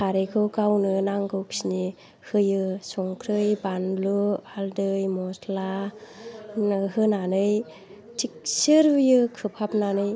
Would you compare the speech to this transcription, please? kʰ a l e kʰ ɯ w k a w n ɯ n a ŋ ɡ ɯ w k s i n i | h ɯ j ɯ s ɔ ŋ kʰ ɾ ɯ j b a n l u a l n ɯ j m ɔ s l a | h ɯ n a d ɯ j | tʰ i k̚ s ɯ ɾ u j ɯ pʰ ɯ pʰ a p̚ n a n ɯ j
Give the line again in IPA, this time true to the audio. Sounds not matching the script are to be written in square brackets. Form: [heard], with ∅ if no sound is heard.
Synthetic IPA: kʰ a [ɾ] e kʰ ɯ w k a w n ɯ n a ŋ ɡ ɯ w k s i n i | h ɯ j ɯ s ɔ ŋ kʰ ɾ ɯ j b a n l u a l [d] ɯ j m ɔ s l a | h ɯ n a [n] ɯ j | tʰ i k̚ s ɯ ɾ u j ɯ [kʰ] ɯ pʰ a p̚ n a n ɯ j